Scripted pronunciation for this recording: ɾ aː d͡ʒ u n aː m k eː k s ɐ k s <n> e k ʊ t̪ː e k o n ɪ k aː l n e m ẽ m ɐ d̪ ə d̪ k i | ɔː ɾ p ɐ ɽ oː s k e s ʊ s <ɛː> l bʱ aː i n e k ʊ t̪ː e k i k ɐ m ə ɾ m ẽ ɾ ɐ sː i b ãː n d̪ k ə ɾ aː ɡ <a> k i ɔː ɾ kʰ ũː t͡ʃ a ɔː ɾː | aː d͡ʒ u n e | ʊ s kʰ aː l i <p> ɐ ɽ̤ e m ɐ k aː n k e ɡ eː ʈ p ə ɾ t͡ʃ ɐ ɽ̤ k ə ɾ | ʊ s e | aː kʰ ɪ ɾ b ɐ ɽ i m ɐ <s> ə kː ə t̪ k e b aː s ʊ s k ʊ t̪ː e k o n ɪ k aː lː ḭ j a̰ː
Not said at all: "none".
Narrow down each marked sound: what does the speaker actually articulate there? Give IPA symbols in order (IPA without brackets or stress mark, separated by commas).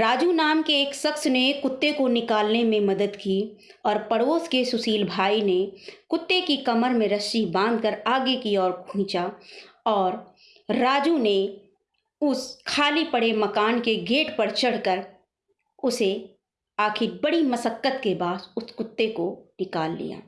n, iː, e, p, s